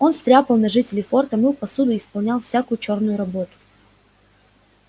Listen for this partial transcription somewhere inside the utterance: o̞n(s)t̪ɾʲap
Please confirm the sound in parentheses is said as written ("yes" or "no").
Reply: yes